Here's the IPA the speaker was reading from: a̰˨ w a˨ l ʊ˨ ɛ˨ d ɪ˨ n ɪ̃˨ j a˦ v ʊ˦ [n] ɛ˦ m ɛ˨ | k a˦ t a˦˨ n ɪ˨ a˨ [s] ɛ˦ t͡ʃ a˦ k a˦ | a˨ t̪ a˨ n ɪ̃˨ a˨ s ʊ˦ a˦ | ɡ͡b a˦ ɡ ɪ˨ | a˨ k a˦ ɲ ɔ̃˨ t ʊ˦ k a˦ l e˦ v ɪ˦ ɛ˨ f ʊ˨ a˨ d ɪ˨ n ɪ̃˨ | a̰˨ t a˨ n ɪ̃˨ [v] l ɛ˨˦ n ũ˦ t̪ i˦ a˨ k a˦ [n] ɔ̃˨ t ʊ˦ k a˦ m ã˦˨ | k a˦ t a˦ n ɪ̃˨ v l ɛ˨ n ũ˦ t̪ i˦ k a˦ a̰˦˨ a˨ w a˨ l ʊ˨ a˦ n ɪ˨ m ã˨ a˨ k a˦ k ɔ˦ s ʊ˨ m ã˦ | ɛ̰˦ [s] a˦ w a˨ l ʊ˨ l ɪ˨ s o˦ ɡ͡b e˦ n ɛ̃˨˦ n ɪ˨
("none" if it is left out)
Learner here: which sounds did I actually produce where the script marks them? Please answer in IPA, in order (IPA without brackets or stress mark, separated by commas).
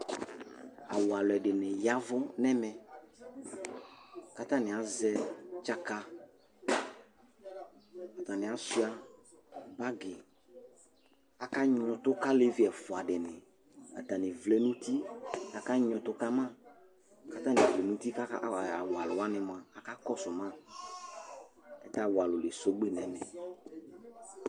n, z, v, ɲ, t